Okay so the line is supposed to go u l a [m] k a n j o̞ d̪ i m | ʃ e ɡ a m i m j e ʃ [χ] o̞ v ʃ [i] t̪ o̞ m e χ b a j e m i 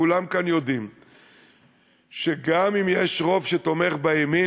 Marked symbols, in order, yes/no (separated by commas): yes, no, no